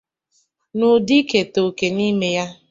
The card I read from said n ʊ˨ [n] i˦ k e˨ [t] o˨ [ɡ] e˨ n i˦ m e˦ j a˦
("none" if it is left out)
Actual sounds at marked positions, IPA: d, t, k

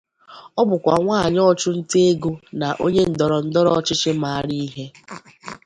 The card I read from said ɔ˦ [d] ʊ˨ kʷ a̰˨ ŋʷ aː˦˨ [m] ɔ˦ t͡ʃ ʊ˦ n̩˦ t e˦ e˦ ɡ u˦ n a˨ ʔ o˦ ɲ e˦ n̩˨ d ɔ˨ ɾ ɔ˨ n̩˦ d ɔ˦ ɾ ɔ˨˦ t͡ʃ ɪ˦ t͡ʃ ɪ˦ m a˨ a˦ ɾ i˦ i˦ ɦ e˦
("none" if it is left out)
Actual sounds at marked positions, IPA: b, ɲ

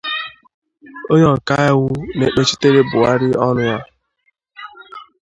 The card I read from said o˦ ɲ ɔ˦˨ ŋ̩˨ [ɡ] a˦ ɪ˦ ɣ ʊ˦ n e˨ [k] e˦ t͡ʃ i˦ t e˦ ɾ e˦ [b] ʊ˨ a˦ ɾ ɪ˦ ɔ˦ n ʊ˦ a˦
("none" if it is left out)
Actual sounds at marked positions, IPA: k, k͡p, b

